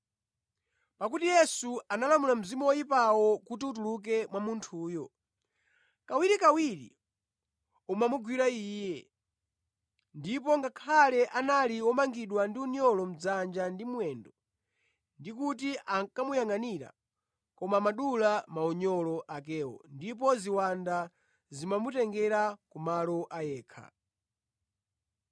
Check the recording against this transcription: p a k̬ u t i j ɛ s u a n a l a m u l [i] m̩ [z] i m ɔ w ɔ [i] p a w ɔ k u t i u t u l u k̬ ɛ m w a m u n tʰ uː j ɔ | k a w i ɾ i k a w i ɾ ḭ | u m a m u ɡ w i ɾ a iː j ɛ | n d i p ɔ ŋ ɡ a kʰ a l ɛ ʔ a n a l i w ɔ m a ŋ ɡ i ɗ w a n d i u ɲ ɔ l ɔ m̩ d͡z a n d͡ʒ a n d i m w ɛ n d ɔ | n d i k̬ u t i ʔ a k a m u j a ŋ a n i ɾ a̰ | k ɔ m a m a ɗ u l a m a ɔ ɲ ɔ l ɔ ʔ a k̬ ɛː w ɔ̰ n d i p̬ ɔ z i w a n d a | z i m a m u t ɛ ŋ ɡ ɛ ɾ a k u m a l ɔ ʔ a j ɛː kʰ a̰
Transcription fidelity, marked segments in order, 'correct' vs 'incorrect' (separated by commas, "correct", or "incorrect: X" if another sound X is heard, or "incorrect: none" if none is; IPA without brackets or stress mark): incorrect: a, correct, correct